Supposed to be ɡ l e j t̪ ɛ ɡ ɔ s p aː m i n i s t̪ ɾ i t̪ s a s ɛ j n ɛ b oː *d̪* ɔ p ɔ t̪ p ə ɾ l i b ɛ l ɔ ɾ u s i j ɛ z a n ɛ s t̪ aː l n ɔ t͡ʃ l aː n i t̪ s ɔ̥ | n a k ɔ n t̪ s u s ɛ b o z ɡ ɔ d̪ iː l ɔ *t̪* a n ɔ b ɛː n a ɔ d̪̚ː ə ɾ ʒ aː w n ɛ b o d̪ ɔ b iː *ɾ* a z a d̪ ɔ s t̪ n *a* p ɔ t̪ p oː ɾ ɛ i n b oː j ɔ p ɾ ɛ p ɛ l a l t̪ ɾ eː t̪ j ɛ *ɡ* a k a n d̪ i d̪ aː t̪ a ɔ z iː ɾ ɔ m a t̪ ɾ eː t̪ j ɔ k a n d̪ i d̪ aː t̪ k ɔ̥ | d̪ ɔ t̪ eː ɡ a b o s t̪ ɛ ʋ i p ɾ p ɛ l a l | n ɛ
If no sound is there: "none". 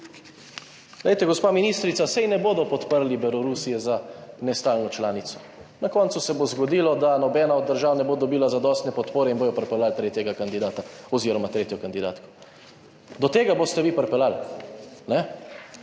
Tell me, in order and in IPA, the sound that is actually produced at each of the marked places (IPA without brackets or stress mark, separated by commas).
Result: d̪, d̪, l, ɛ, ɡ